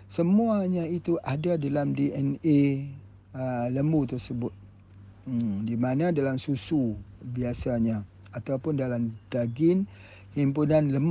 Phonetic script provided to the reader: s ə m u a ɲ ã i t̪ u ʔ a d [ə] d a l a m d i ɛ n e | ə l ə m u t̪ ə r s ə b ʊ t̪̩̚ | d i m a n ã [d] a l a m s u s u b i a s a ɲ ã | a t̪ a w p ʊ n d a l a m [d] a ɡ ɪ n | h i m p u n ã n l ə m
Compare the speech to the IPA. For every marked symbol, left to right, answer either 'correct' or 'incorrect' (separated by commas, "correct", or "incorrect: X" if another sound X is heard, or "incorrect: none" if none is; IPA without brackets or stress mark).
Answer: incorrect: a, correct, correct